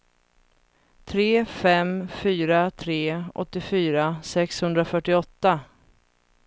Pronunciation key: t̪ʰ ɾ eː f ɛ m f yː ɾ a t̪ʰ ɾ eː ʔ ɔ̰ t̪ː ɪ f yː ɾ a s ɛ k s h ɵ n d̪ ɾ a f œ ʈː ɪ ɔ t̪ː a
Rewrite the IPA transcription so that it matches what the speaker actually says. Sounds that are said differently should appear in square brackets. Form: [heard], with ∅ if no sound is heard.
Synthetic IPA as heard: t̪ʰ ɾ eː f ɛ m f yː ɾ a t̪ʰ ɾ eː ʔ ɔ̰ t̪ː ɪ f yː ɾ a s ɛ k s h ɵ n d̪ ɾ a f œ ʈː ɪ ɔ t̪ː a